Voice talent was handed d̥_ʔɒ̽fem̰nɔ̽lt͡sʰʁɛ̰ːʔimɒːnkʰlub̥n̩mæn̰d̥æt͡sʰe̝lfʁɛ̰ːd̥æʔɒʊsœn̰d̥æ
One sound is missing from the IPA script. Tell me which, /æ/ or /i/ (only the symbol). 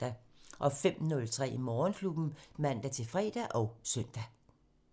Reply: æ